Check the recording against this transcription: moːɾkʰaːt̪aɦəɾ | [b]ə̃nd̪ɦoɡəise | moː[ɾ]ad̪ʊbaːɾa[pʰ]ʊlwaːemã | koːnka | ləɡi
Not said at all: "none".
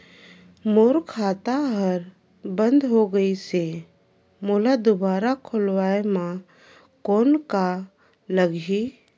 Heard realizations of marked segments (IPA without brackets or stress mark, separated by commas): b, l, kʰ